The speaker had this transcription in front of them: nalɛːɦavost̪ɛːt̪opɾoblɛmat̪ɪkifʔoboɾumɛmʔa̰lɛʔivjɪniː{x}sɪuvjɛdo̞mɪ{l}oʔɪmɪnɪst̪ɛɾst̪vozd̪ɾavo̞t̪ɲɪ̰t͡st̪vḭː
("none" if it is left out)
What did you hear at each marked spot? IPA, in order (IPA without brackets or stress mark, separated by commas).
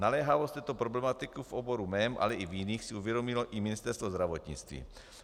x, l